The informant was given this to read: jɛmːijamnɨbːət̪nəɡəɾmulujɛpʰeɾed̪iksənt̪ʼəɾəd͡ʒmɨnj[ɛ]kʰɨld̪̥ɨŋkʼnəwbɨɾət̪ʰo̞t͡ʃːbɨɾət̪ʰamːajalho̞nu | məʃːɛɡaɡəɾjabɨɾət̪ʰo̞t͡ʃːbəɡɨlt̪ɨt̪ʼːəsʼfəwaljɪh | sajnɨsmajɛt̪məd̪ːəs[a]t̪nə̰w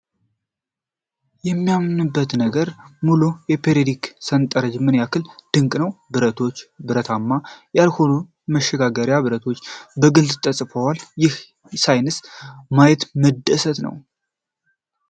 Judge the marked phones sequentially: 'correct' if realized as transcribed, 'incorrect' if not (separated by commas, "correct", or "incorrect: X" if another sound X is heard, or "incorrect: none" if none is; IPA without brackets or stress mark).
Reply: incorrect: a, incorrect: ə